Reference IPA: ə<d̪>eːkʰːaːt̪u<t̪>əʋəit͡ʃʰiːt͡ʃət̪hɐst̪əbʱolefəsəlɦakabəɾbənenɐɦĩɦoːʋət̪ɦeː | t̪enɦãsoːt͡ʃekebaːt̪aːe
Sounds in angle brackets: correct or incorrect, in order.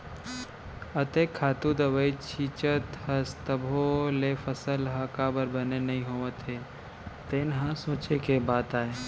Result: incorrect: t̪, incorrect: d̪

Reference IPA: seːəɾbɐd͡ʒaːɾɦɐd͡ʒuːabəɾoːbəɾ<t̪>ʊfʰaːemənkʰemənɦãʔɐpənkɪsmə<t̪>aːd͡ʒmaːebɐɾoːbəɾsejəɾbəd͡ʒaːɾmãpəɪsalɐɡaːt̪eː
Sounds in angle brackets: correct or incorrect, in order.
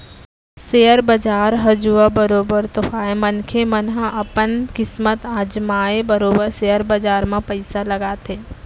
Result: correct, correct

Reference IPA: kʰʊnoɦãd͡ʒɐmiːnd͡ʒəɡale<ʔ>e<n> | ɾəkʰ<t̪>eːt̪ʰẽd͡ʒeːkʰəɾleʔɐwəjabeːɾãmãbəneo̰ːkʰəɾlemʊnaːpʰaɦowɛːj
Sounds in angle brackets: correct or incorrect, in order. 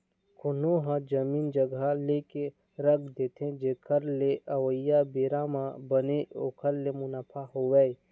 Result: incorrect: k, incorrect: none, incorrect: d̪

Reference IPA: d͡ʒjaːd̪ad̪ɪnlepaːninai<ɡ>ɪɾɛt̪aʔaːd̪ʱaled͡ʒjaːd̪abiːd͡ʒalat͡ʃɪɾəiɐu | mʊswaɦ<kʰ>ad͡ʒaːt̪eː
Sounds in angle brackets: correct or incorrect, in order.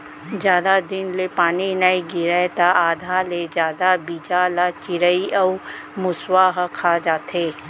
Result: correct, correct

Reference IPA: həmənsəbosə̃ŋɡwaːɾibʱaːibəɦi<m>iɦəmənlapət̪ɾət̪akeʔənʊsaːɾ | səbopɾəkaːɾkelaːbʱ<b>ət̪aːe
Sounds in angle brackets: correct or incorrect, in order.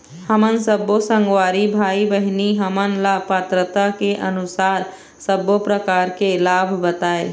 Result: incorrect: n, correct

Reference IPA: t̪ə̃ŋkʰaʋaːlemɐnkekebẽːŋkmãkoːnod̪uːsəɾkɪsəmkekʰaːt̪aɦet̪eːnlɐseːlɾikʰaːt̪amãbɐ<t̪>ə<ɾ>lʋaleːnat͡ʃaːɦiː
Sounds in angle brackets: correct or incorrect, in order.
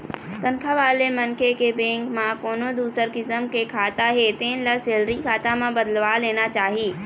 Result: incorrect: d̪, incorrect: none

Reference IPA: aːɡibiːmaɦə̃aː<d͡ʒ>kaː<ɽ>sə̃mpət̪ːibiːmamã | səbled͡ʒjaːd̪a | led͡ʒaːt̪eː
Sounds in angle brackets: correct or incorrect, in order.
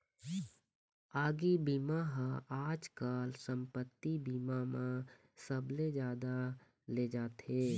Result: correct, incorrect: l

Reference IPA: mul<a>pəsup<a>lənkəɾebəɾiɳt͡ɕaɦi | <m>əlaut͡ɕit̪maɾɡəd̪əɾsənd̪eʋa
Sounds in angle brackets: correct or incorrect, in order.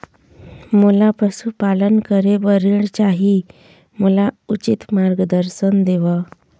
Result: correct, correct, correct

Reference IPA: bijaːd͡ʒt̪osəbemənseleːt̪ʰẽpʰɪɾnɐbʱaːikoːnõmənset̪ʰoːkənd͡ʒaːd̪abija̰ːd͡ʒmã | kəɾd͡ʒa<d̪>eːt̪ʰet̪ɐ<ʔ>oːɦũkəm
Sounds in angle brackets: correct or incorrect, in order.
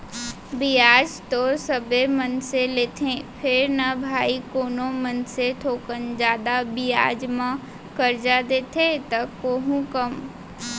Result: correct, incorrect: k

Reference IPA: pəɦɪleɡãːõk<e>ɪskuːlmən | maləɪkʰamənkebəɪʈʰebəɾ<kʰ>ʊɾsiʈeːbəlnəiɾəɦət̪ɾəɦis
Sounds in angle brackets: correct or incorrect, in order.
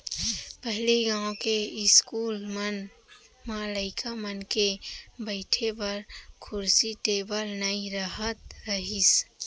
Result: correct, correct

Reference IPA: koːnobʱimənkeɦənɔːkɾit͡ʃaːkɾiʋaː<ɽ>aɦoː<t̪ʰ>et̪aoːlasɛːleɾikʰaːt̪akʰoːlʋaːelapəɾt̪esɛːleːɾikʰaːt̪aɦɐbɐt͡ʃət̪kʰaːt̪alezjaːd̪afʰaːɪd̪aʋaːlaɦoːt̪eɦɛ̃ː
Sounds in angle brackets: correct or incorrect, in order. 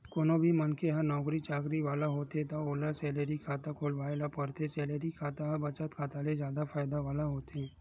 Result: incorrect: l, incorrect: t̪

